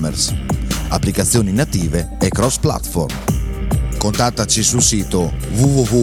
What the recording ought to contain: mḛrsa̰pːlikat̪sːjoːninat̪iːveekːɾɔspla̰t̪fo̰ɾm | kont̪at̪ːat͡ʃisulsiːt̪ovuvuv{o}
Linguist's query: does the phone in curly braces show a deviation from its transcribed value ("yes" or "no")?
yes